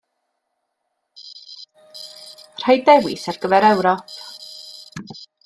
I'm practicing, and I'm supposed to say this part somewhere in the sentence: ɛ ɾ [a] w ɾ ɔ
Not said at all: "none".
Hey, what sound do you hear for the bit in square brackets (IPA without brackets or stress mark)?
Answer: ɛ